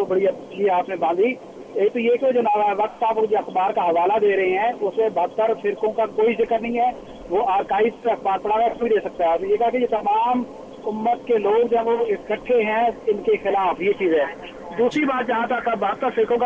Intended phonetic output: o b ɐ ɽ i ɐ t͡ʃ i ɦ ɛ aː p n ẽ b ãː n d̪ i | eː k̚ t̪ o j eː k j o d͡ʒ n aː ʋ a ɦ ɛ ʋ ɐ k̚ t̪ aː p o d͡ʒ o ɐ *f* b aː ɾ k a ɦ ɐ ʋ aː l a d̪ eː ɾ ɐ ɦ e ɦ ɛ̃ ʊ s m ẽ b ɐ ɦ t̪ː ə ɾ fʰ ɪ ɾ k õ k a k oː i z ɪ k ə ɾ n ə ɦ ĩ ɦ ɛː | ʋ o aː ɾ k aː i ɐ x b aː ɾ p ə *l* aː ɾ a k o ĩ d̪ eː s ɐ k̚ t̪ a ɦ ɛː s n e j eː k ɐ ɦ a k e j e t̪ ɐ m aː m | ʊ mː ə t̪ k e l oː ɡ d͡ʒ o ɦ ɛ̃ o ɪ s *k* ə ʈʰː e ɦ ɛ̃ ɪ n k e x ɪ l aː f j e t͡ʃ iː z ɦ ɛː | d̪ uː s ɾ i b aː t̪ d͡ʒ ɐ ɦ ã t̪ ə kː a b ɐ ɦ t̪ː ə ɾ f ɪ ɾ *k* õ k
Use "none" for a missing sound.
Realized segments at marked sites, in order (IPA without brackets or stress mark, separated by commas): x, ɽ, k, k